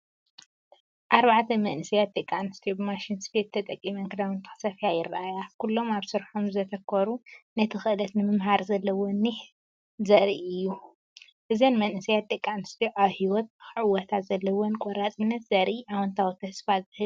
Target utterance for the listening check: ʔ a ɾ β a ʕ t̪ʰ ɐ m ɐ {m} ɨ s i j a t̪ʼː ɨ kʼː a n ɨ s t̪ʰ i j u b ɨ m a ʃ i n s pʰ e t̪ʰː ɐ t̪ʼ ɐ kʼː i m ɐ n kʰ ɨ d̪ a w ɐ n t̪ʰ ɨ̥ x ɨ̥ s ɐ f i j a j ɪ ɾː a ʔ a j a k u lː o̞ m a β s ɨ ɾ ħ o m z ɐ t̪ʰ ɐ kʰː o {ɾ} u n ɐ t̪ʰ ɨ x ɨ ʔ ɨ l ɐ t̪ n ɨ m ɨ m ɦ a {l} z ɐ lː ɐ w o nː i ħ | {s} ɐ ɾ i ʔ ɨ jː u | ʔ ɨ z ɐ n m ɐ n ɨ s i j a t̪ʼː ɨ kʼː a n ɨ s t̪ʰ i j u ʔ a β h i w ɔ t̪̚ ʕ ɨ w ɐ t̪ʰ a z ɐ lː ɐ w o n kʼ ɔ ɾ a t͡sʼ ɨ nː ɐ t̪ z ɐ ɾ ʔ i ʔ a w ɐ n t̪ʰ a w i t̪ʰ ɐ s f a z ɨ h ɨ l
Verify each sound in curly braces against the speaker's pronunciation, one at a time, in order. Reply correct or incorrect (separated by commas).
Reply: incorrect, correct, incorrect, incorrect